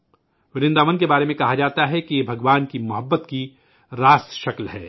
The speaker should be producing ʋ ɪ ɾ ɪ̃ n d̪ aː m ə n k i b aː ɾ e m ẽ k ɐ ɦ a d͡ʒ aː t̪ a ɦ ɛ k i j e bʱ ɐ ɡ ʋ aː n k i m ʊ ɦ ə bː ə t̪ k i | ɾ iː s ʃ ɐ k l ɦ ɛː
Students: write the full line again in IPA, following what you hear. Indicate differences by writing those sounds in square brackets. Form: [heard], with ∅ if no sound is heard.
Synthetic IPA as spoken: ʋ ɪ ɾ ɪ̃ n d̪ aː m ə n k [e] b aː ɾ e m ẽ k ɐ ɦ a d͡ʒ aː t̪ a ɦ ɛ k i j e bʱ ɐ ɡ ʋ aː n k i m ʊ ɦ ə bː ə t̪ k i | ɾ [aː] s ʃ ɐ k l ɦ ɛː